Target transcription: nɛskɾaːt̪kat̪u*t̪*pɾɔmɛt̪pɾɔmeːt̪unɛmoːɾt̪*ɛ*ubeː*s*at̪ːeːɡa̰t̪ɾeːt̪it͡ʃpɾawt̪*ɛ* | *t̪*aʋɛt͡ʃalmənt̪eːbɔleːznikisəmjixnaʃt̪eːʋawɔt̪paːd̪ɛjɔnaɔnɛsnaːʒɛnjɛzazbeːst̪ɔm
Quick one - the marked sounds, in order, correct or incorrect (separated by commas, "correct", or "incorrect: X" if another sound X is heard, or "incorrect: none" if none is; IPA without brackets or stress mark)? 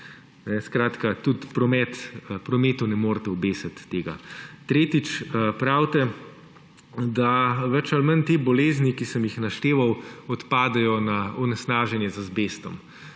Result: correct, correct, correct, correct, incorrect: d̪